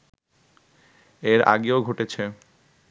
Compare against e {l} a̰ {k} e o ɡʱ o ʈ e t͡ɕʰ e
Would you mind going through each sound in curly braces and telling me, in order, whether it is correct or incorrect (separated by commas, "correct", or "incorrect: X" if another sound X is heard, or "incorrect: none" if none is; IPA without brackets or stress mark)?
incorrect: ɾ, incorrect: ɡ